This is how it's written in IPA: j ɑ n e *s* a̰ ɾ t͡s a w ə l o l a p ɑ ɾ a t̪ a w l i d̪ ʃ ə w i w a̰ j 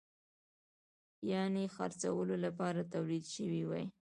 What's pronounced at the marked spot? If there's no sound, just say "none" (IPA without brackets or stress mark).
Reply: x